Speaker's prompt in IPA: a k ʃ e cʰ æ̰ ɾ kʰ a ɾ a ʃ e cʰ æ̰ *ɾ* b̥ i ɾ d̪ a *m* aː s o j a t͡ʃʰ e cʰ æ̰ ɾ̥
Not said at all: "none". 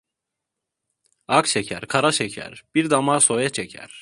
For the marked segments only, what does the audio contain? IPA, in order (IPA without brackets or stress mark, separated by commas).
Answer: ɾ, m